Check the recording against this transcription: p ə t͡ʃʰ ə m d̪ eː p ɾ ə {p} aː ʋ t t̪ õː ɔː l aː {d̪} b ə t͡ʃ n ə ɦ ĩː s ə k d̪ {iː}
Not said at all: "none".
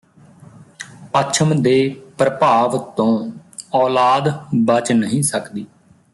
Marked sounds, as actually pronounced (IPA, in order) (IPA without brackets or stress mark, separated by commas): p, d̪, iː